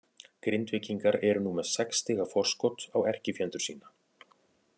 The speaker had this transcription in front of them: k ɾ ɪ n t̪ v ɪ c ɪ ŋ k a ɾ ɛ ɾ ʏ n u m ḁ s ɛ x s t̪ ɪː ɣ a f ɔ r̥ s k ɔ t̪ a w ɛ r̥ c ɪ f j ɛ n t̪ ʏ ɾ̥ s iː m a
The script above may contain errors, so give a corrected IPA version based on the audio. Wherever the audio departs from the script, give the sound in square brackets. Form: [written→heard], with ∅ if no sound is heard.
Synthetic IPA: k ɾ ɪ n t̪ v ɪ c [ɪ→i] ŋ k a ɾ ɛ ɾ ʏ n u m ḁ s ɛ [x→k] s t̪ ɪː ɣ a f ɔ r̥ s k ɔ t̪ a w ɛ r̥ c ɪ f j ɛ n t̪ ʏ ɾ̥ s iː [m→n] a